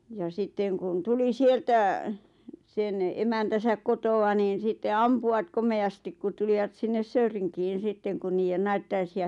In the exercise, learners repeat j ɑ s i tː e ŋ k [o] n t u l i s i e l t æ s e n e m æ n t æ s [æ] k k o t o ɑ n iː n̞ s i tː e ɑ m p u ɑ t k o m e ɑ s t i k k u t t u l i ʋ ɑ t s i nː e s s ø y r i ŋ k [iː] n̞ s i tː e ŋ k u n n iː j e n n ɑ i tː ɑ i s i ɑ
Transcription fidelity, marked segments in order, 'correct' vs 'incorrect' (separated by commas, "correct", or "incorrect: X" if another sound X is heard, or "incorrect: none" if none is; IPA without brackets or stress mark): incorrect: u, correct, correct